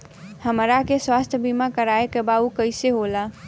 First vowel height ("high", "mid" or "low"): mid